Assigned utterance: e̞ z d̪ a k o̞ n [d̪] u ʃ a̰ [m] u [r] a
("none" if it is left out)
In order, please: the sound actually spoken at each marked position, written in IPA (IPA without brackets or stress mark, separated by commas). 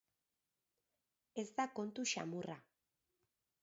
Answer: t̪, m, r